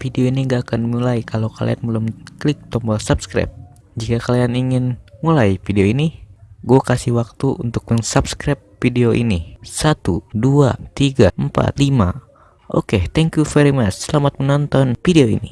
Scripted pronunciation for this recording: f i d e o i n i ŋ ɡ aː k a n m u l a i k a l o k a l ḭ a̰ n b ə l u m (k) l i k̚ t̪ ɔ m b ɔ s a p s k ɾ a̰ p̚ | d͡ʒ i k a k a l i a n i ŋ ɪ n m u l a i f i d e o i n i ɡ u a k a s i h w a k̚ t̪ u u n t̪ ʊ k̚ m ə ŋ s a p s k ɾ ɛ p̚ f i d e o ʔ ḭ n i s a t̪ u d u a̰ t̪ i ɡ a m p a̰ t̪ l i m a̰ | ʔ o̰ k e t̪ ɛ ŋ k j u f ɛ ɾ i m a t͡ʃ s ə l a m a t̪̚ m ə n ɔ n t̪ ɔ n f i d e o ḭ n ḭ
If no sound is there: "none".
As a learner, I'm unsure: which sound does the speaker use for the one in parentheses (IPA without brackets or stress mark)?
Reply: k